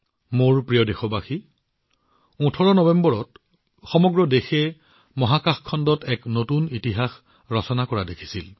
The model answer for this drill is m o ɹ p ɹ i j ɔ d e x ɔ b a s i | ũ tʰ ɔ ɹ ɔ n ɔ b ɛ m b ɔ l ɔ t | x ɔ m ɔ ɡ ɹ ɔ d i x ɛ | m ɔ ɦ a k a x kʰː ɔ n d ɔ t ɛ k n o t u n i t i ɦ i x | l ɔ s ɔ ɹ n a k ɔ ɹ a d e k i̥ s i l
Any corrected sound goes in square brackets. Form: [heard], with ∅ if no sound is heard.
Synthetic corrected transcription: m o ɹ p ɹ i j ɔ d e x ɔ b a [x] i | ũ tʰ ɔ ɹ ɔ n ɔ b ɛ m b ɔ [ɹ] ɔ t | x ɔ m ɔ ɡ ɹ ɔ d [e] x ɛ | m ɔ ɦ a k a x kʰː ɔ n d ɔ t ɛ k n o t u n i t i ɦ [a] x | [ɹ] ɔ s ɔ [∅] n a k ɔ ɹ a d e [kʰ] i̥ s i l